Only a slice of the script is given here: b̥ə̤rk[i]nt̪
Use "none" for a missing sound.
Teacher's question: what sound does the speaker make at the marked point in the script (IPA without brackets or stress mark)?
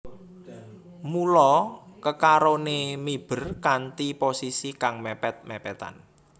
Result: a